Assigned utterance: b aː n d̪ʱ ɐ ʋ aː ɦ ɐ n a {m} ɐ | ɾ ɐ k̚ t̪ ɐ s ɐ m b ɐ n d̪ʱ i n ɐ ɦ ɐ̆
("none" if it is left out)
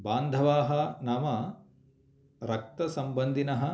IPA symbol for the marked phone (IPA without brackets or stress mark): m